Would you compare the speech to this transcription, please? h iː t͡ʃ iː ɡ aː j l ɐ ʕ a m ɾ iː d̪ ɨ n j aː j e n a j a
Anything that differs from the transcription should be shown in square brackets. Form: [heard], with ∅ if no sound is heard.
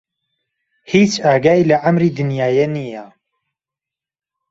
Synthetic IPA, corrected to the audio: h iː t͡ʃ [aː] ɡ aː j l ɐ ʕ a m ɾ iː d̪ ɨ n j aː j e n [i] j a